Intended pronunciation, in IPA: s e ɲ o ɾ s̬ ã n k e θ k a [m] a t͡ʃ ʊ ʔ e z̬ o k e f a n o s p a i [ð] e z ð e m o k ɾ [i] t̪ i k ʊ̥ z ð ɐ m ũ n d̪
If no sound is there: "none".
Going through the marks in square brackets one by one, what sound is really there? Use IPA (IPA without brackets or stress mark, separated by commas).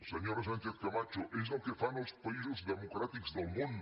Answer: m, z, a